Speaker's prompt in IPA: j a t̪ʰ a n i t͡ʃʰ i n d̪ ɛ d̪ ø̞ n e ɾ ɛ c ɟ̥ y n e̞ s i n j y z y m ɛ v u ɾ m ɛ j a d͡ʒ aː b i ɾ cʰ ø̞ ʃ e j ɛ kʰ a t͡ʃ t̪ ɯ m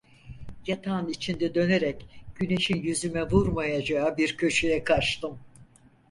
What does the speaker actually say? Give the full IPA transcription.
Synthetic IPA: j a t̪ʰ a n i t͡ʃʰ i n d̪ ɛ d̪ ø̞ n e ɾ ɛ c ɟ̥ y n e̞ ʃ i n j y z y m ɛ v u ɾ m a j a d͡ʒ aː b i ɾ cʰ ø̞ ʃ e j ɛ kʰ a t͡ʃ t̪ ɯ m